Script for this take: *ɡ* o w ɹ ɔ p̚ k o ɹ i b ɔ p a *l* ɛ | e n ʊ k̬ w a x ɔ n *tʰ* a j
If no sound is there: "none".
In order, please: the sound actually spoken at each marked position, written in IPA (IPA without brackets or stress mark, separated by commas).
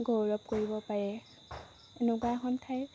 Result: ɡ, ɹ, tʰ